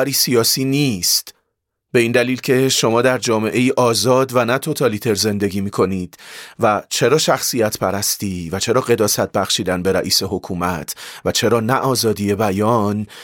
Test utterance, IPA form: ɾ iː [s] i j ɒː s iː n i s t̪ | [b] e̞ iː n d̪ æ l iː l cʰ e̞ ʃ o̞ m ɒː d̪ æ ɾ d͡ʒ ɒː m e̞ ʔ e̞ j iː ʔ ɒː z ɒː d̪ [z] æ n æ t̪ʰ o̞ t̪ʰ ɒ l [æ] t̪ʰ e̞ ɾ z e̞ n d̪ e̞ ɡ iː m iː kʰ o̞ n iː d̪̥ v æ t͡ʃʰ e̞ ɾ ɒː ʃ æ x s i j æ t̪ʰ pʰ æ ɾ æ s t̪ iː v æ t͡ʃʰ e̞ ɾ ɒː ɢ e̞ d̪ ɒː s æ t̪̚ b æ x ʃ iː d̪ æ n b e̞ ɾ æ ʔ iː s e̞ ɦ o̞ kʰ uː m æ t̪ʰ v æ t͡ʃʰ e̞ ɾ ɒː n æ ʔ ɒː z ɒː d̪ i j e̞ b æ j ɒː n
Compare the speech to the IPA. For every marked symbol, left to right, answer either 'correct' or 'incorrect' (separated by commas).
correct, correct, incorrect, incorrect